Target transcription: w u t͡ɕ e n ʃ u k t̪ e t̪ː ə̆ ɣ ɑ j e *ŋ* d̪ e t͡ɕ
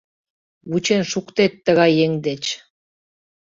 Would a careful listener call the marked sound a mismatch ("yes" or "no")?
no